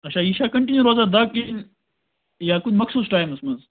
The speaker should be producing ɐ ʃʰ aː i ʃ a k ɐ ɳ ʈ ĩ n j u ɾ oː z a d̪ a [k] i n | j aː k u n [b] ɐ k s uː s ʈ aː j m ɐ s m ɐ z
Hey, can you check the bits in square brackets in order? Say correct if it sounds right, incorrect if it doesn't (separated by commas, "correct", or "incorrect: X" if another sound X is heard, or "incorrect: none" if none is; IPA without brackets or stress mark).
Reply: correct, incorrect: m